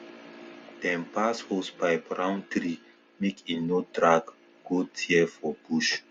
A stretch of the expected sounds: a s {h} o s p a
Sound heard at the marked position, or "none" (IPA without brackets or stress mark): h